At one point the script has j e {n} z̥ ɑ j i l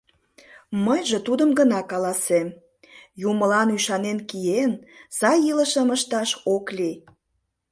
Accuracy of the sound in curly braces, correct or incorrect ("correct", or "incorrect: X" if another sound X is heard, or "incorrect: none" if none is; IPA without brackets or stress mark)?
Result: correct